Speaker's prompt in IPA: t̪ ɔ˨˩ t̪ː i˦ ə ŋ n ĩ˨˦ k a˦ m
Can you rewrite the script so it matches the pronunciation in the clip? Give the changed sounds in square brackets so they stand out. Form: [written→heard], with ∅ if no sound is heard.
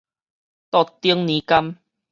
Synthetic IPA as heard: t̪ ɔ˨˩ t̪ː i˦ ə ŋ n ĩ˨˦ k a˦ m